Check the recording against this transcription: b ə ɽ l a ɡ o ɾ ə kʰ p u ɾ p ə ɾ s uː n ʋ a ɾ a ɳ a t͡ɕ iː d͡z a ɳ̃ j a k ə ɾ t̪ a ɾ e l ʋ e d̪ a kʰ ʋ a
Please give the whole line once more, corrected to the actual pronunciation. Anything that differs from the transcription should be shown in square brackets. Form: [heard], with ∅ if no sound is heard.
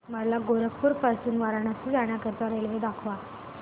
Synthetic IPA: [m] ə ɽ l a ɡ o ɾ ə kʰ p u ɾ p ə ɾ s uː n ʋ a ɾ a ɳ a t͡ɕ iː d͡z a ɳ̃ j a k ə ɾ t̪ a ɾ e l ʋ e d̪ a kʰ ʋ a